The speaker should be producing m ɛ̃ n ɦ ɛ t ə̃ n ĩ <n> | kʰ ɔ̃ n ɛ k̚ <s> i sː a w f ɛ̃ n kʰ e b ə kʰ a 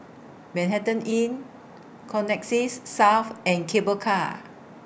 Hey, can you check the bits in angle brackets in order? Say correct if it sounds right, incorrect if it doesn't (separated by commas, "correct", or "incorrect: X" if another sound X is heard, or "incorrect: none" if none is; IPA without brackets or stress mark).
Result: correct, correct